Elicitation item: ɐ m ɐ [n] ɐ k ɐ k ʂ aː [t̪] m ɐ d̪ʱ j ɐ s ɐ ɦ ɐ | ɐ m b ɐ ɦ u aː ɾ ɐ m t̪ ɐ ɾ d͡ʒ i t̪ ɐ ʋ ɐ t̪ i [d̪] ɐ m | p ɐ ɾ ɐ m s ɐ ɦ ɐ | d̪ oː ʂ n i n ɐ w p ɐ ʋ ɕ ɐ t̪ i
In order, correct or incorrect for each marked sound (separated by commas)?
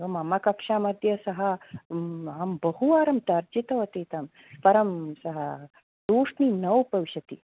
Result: incorrect, incorrect, incorrect